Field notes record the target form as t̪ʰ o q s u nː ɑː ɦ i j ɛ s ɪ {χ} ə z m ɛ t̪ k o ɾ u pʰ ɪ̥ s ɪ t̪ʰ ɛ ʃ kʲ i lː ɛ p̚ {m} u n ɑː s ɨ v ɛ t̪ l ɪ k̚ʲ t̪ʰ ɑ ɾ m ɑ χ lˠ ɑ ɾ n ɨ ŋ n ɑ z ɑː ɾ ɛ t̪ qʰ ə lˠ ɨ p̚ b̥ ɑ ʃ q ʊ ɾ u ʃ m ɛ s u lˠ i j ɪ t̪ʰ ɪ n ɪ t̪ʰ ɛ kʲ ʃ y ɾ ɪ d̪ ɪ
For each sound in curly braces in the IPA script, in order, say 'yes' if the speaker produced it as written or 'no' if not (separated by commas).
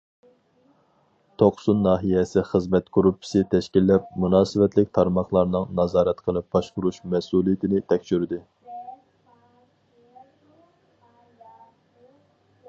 yes, yes